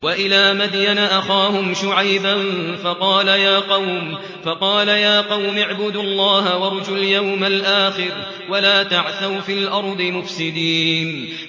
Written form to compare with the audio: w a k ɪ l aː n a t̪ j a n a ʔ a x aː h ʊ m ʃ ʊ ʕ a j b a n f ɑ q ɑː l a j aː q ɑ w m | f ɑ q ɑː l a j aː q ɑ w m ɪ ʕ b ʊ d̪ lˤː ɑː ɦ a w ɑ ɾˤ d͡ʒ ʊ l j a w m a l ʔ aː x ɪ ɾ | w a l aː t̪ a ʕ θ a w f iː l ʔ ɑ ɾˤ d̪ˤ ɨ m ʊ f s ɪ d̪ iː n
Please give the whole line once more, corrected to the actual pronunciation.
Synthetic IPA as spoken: w a ʔ ɪ l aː m a d̪ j a n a ʔ a x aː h ʊ m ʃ ʊ ʕ a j b a n f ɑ q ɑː l a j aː q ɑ w m | f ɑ q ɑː l a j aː q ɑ w m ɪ ʕ b ʊ d̪ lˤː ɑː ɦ a w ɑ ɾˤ d͡ʒ ʊ l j a w m a l ʔ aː x ɪ ɾ | w a l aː t̪ a ʕ θ a w f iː l ʔ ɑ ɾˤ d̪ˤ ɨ m ʊ f s ɪ d̪ iː n